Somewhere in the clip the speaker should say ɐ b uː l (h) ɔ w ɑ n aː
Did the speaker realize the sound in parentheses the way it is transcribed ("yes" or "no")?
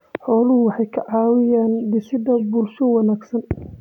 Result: no